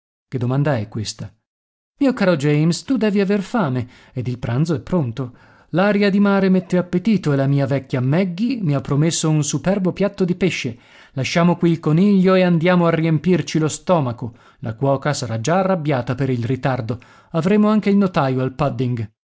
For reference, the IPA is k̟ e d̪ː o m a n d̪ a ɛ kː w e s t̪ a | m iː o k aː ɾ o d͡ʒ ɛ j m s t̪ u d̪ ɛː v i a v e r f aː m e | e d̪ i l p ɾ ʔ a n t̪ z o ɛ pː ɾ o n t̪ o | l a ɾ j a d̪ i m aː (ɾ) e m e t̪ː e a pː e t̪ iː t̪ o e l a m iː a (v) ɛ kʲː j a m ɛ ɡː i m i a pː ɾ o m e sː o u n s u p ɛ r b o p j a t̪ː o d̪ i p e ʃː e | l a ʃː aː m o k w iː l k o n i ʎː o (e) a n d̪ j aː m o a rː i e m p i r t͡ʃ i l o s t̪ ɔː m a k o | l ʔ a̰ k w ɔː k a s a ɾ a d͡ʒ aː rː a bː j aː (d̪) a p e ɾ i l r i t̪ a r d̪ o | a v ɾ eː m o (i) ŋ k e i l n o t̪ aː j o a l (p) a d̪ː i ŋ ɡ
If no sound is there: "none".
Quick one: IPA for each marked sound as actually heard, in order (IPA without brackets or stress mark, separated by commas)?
ɾ, v, e, t̪, a, p